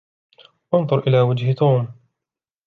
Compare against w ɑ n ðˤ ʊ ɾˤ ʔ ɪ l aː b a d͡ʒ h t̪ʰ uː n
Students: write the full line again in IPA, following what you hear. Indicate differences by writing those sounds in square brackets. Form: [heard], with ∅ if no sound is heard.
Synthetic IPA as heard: w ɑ n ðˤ ʊ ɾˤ ʔ ɪ l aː [w] a d͡ʒ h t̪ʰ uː [m]